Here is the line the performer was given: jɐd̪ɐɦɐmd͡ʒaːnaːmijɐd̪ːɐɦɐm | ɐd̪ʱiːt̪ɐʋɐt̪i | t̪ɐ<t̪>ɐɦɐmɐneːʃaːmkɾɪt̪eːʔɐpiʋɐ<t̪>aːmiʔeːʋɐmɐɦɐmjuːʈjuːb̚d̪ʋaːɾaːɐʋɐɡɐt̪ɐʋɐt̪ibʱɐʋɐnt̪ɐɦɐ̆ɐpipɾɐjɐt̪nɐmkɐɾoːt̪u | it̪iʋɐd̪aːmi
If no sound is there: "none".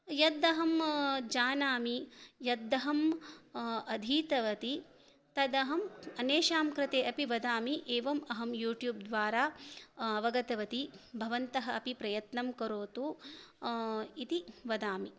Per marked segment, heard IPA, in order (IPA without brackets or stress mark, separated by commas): d̪, d̪